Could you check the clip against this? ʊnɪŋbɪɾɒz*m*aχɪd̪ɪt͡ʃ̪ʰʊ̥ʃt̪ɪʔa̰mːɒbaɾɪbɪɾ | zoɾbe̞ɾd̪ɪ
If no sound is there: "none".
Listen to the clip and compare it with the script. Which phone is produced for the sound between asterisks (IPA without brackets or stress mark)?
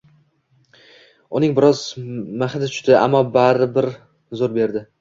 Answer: m